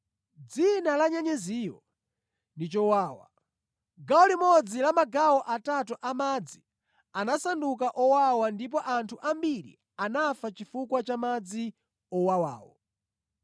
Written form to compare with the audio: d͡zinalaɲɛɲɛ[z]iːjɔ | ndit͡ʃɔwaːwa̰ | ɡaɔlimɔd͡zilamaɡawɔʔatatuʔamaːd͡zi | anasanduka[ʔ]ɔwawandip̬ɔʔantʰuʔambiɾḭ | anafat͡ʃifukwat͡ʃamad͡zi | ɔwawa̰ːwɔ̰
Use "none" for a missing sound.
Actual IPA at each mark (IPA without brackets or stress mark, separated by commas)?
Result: z, ʔ